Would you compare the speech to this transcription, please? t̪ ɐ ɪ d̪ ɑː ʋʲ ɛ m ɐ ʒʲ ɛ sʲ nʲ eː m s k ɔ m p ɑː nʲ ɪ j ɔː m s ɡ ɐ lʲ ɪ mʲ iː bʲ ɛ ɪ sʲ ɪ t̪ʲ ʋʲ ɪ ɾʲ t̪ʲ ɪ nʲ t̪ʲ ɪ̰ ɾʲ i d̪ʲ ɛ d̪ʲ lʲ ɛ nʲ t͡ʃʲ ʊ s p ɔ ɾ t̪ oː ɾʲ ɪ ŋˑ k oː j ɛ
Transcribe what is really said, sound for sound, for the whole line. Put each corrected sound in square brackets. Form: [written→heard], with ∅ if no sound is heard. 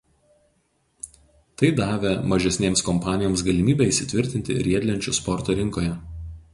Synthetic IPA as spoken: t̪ ɐ ɪ d̪ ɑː ʋʲ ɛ m ɐ ʒʲ ɛ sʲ nʲ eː m s k ɔ m p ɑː nʲ ɪ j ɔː m s ɡ ɐ lʲ ɪ mʲ iː bʲ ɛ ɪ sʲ ɪ t̪ʲ ʋʲ ɪ ɾʲ t̪ʲ ɪ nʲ t̪ʲ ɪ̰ ɾʲ i [d̪ʲ→∅] ɛ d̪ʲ lʲ ɛ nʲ t͡ʃʲ ʊ s p ɔ ɾ t̪ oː ɾʲ ɪ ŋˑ k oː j ɛ